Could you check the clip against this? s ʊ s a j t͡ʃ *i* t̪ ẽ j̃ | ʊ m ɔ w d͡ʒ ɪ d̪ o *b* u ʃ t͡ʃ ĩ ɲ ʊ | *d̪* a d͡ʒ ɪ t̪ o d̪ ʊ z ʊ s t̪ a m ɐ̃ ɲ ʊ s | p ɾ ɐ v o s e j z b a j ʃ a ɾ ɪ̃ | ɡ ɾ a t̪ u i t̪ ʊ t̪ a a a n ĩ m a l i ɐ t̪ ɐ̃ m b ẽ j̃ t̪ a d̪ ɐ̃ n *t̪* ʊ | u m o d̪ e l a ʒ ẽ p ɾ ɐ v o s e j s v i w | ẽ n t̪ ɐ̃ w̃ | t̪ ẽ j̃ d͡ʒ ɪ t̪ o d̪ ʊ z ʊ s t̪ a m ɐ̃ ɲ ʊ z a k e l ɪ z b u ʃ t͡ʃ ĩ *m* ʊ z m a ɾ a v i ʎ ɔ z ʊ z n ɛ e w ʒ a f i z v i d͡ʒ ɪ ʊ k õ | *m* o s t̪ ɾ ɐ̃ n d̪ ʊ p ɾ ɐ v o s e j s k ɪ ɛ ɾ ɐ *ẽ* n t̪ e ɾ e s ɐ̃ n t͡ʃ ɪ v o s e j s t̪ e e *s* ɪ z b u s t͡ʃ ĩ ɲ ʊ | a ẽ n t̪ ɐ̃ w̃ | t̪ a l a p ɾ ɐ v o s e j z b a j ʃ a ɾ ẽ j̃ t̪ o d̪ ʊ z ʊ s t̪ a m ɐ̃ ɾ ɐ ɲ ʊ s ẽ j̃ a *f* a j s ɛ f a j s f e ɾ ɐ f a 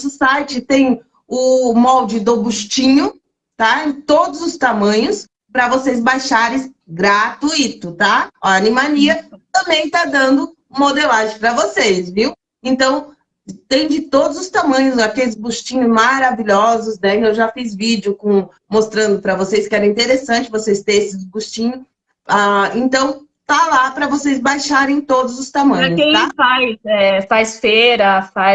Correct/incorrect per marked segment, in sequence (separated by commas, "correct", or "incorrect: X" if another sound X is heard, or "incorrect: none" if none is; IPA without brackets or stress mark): incorrect: ɪ, correct, incorrect: t̪, incorrect: d̪, incorrect: ɲ, correct, incorrect: ĩ, correct, correct